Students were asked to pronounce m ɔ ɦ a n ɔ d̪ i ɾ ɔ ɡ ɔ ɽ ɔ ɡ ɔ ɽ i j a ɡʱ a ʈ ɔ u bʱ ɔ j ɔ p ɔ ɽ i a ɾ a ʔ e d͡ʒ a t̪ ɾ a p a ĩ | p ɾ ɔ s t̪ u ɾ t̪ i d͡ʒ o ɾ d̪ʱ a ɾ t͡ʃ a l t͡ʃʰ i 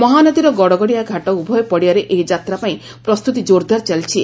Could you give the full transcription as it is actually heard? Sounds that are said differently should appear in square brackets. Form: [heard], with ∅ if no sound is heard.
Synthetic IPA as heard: m ɔ ɦ a n ɔ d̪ i ɾ ɔ ɡ ɔ ɽ ɔ ɡ ɔ ɽ i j a ɡʱ a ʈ ɔ u bʱ ɔ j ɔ p ɔ ɽ i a ɾ [e] ʔ e d͡ʒ a t̪ ɾ a p a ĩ | p ɾ ɔ s t̪ u [∅] t̪ i d͡ʒ o ɾ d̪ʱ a ɾ t͡ʃ a l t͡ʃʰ i